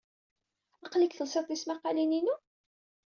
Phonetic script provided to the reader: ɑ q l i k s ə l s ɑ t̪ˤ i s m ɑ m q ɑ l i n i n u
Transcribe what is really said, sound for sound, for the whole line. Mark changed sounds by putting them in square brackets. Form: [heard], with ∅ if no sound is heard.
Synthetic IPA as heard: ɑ q l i k [θ] ə l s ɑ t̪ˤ i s m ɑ [∅] q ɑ l i n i n u